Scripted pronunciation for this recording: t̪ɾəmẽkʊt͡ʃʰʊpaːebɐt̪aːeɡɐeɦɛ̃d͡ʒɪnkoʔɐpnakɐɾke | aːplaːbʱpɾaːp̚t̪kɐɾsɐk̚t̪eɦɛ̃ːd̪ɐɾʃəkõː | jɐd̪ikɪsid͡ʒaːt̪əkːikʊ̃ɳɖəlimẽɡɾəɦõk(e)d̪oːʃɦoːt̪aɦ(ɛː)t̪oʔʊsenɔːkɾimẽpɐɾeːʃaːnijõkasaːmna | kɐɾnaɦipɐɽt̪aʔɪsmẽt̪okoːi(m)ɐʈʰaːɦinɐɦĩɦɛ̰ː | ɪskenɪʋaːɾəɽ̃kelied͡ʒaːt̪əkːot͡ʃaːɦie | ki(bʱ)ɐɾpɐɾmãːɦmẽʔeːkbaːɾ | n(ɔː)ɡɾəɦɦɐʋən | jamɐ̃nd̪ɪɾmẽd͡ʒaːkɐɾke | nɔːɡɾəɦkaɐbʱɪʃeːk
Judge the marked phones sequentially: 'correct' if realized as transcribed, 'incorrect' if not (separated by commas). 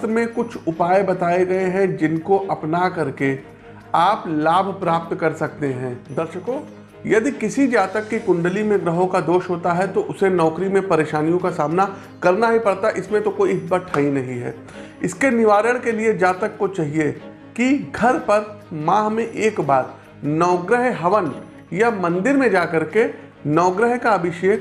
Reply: incorrect, incorrect, incorrect, incorrect, correct